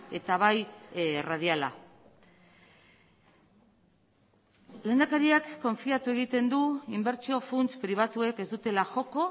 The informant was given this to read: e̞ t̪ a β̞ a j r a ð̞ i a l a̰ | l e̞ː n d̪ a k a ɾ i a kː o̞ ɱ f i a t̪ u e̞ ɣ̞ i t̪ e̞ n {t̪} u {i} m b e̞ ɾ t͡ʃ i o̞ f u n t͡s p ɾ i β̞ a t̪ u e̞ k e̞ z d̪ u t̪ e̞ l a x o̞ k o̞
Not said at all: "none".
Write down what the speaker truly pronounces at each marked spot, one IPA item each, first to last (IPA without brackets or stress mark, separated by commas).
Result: d̪, i